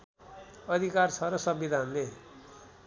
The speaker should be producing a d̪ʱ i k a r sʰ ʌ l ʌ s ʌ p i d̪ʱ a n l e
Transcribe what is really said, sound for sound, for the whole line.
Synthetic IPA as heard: ʌ d̪ʱ i k a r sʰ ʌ ɾ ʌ s ʌ b i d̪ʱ a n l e